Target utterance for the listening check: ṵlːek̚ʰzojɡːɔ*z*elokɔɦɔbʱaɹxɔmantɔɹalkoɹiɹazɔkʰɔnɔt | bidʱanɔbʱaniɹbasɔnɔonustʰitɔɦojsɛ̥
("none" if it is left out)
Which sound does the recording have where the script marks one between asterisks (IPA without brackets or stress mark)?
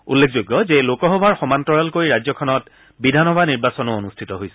z